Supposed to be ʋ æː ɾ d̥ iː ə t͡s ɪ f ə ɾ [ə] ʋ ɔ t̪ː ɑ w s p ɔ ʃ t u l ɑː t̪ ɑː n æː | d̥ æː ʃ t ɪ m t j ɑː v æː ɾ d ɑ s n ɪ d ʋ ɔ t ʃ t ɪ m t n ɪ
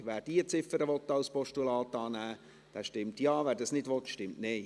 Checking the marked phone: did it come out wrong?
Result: no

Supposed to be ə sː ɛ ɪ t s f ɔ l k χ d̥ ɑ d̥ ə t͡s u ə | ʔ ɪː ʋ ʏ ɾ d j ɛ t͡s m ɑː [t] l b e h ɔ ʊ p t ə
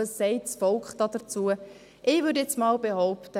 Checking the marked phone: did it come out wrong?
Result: yes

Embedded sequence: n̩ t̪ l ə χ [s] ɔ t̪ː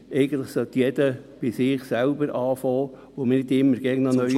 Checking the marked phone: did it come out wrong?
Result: no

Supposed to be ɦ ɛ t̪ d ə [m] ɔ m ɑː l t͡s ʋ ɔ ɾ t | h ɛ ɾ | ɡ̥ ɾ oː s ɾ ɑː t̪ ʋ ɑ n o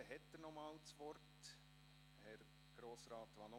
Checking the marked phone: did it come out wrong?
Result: yes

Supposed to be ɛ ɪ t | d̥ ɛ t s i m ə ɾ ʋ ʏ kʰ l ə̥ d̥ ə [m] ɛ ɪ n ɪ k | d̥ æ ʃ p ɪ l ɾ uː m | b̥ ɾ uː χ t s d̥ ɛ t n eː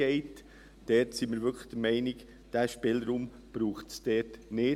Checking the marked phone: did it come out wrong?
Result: no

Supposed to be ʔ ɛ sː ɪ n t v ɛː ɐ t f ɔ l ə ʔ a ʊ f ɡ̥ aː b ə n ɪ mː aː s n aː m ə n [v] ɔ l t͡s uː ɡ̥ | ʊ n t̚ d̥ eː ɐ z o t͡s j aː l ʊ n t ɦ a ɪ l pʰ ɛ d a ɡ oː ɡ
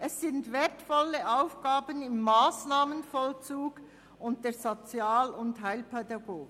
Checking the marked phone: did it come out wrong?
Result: yes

